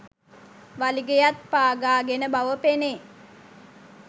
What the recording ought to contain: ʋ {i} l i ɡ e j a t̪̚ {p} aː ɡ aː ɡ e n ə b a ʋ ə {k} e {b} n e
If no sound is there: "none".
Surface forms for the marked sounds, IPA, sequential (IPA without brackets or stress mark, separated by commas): a, p, p, none